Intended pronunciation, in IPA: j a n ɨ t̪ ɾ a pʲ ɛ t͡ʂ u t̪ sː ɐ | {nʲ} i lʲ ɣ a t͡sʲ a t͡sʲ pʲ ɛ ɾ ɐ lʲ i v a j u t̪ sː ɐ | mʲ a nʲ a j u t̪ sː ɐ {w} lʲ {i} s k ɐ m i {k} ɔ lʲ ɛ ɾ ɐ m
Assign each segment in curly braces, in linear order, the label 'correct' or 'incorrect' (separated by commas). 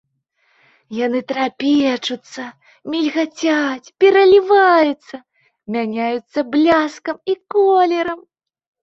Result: incorrect, incorrect, incorrect, correct